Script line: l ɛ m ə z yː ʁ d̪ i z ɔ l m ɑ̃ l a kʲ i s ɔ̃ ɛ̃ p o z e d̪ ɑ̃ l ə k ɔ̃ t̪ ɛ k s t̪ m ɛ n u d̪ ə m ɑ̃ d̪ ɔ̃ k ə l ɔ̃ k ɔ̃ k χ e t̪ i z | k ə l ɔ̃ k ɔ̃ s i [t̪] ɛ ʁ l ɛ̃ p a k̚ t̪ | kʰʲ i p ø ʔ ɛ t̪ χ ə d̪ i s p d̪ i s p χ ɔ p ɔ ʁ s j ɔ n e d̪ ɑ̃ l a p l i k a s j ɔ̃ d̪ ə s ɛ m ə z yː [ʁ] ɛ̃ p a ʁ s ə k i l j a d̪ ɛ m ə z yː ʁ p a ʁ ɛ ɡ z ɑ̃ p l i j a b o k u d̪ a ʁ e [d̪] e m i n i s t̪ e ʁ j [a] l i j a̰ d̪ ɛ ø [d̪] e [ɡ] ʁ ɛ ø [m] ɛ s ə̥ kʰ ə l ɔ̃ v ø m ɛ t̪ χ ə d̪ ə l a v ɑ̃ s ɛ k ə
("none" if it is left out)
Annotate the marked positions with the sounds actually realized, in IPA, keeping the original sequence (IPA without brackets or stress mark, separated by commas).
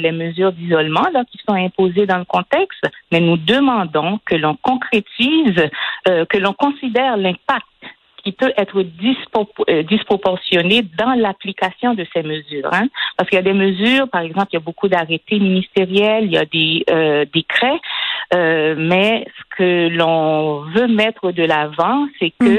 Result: d̪, ʁ, t̪, ɛ, d̪, k, m